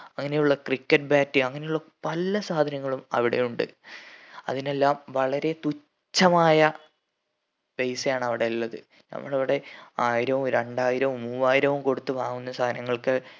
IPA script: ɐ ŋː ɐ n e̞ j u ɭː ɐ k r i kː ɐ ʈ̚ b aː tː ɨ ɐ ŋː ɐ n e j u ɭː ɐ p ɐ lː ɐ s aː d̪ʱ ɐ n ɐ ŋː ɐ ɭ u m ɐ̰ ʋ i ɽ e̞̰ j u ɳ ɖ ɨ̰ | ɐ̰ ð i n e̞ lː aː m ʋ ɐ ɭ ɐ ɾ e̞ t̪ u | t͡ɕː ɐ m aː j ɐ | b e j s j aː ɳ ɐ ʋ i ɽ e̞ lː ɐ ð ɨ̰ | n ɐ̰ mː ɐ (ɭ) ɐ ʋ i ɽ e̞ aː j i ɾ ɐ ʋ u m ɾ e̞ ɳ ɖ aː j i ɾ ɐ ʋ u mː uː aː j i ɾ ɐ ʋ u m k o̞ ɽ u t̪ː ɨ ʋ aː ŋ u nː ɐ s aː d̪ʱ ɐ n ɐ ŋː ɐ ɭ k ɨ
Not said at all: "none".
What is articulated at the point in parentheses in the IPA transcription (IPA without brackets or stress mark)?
ɭ